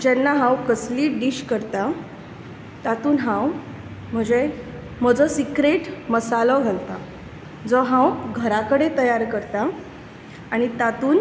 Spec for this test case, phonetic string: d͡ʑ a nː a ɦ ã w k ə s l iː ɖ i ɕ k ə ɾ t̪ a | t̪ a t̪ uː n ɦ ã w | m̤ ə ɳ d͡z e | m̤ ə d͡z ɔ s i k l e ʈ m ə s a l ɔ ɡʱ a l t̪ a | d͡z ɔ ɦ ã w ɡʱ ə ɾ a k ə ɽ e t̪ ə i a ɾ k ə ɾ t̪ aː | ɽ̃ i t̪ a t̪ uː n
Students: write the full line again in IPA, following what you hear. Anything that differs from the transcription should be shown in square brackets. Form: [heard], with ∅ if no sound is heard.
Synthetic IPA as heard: d͡ʑ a nː a ɦ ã w k ə s l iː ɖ i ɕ k ə ɾ t̪ a | t̪ a t̪ uː n ɦ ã w | m̤ ə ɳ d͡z e | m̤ ə d͡z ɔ s i k [ɾ] e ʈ m ə s a l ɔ ɡʱ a l t̪ a | d͡z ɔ ɦ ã w ɡʱ ə ɾ a k ə ɽ e t̪ ə [j] a ɾ k ə ɾ t̪ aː | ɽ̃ i t̪ a t̪ uː n